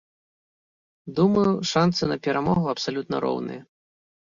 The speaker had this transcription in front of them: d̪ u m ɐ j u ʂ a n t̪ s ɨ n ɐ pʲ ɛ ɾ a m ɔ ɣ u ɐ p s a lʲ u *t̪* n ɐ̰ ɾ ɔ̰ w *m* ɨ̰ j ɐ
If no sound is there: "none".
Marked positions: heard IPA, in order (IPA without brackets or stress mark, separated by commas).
t̪, n